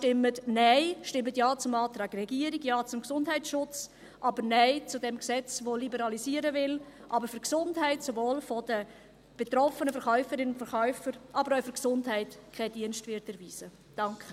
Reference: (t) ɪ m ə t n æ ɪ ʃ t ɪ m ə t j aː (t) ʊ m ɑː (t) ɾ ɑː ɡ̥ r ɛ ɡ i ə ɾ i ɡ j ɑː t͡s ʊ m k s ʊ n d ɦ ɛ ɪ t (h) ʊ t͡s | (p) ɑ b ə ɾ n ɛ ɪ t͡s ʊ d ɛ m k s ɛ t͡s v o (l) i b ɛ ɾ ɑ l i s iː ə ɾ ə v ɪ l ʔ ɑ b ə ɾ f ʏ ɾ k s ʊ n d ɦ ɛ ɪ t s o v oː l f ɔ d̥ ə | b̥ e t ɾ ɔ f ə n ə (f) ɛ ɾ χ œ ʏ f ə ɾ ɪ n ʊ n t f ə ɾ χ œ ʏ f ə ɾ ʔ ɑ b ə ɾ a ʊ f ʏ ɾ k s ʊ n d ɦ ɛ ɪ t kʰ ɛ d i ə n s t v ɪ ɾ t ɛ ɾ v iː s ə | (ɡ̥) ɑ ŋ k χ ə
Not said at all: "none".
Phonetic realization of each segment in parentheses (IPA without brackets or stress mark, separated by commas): t, t͡s, t, ʃ, ʔ, l, f, d̥